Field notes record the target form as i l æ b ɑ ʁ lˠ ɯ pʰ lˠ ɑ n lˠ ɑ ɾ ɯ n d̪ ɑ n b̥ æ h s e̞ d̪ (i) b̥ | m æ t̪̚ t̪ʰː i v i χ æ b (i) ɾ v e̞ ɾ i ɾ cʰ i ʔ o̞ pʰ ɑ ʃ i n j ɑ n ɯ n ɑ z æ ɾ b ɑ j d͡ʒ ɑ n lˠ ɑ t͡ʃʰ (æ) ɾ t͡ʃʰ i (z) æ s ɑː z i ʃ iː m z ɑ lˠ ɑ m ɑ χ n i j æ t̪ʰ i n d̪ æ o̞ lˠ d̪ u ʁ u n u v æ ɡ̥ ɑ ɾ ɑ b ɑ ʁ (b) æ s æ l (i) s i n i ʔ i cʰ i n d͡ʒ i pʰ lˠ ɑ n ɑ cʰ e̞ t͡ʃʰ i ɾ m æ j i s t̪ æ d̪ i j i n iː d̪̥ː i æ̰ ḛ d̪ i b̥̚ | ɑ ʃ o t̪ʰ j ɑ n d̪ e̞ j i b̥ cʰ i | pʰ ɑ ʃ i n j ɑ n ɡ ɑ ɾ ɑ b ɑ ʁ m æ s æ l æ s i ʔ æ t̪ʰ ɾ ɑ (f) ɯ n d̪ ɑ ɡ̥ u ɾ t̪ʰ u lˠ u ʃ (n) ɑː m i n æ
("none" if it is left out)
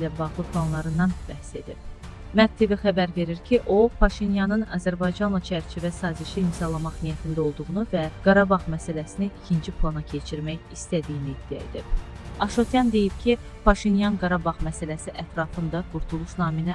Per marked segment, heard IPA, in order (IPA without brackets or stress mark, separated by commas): i, æ, æ, v, m, æ, f, n